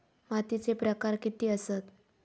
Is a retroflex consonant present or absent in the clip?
absent